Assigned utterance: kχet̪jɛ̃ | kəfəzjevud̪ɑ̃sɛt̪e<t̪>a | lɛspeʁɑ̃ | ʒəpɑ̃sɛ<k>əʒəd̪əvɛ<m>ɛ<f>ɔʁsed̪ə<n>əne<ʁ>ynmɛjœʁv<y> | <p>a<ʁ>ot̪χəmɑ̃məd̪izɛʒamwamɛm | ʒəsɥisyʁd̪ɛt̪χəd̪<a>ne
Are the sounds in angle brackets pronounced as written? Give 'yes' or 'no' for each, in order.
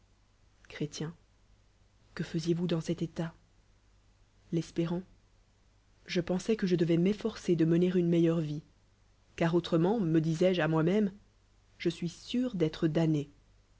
yes, yes, yes, yes, no, yes, no, no, yes, yes

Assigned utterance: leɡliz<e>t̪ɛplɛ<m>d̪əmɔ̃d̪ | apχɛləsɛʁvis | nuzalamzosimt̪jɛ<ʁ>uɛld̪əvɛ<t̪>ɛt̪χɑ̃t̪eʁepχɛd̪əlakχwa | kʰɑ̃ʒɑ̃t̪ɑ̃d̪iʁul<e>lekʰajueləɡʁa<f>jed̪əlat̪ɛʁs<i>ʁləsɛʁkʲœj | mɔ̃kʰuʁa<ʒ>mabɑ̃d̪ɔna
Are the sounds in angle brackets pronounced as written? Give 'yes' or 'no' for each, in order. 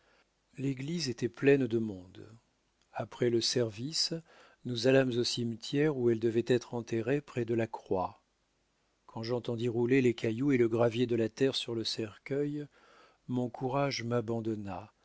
yes, no, yes, yes, yes, no, no, yes

